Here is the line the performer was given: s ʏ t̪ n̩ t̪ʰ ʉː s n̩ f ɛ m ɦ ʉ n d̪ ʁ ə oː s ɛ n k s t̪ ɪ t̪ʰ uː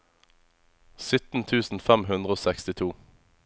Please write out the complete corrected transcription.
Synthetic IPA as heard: s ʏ t̪ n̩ t̪ʰ ʉː s n̩ f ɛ m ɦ ʉ n d̪ ʁ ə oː s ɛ k s t̪ ɪ t̪ʰ uː